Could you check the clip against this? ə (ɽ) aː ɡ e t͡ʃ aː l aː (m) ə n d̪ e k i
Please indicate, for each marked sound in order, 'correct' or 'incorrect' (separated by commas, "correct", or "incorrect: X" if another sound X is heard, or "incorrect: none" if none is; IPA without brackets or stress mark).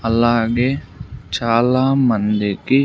incorrect: l, correct